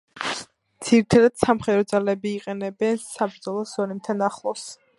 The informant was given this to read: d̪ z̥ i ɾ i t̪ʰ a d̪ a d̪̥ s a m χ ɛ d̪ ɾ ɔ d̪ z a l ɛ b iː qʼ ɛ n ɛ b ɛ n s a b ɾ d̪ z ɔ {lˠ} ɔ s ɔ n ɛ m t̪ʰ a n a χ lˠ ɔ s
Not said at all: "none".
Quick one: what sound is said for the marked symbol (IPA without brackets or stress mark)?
lˠ